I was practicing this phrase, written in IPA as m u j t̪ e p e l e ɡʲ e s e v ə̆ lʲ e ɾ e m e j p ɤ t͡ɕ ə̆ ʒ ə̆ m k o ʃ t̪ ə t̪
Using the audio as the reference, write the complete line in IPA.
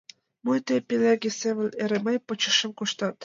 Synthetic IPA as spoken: m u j t̪ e p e l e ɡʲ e s e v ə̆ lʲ e ɾ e m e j p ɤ t͡ɕ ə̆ ʃ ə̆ m k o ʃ t̪ ɑ t̪

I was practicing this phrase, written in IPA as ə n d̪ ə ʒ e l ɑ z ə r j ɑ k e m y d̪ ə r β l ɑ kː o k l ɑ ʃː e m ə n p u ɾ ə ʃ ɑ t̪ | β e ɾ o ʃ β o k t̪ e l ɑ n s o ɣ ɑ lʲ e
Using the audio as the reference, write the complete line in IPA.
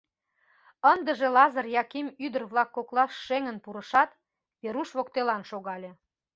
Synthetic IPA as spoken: ə n d̪ ə ʒ e l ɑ z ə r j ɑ k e m y d̪ ə r β l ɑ kː o k l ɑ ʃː e ŋ ə n p u ɾ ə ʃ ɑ t̪ | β e ɾ u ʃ β o k t̪ e l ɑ n ʃ o ɣ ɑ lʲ e

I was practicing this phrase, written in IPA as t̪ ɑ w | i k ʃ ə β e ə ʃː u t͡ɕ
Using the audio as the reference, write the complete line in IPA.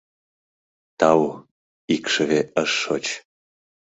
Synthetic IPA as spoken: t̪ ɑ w | i k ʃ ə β e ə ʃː o t͡ɕ

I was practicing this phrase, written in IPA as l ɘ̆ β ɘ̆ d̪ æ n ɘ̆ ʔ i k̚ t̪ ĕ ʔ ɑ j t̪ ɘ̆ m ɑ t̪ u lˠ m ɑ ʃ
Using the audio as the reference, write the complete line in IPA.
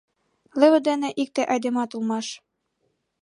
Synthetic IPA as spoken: l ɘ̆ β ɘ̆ d̪ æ n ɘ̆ ʔ i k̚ t̪ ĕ ʔ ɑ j d̪ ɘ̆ m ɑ t̪ u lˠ m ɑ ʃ

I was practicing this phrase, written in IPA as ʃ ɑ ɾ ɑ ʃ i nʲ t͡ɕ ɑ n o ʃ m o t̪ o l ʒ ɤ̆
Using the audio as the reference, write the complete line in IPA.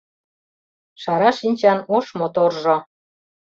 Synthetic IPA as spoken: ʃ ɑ ɾ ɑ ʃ i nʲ t͡ɕ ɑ n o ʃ m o t̪ o r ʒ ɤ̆

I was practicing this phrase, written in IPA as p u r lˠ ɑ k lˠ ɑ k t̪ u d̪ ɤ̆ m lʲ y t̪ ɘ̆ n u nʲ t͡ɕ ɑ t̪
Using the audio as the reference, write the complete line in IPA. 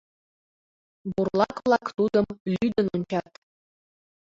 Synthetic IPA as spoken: b u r lˠ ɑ k lˠ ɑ k t̪ u d̪ ɤ̆ m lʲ y d̪ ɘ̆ n u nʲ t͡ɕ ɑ t̪

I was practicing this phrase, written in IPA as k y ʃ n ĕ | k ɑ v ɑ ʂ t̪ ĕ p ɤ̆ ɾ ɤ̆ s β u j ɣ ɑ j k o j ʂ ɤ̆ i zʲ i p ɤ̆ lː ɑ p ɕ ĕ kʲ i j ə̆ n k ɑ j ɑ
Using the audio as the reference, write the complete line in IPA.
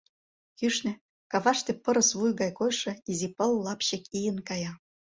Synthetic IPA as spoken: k y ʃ n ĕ | k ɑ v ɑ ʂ t̪ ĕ p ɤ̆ ɾ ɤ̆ s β u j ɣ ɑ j k o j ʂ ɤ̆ i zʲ i p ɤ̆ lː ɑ p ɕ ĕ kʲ i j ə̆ n k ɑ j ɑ

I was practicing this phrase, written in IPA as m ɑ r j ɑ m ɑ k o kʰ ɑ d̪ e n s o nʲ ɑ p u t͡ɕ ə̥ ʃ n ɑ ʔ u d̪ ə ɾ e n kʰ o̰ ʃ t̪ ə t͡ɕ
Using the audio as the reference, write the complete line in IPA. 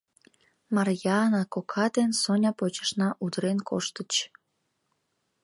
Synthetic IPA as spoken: m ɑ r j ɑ n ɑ k o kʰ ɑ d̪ e n s o nʲ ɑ p o t͡ɕ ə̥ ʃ n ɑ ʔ u d̪ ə ɾ e n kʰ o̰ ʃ t̪ ə t͡ɕ

